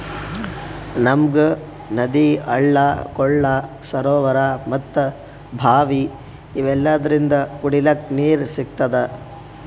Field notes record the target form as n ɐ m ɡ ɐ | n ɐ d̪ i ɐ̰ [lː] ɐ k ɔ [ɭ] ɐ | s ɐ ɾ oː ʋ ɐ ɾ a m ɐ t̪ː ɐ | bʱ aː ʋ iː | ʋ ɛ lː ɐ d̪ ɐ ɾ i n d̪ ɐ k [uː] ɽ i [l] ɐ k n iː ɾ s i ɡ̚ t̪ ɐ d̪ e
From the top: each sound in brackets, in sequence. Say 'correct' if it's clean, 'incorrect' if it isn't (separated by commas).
incorrect, incorrect, incorrect, correct